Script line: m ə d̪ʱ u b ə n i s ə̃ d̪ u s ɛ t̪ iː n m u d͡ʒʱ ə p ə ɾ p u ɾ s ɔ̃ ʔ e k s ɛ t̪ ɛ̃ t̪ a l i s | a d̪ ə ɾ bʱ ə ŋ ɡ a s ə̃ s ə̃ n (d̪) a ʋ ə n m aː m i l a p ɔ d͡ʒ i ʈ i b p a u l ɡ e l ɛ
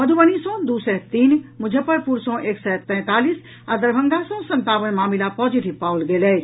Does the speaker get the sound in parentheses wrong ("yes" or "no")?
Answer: yes